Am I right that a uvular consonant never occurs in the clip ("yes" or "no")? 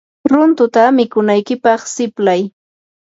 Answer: no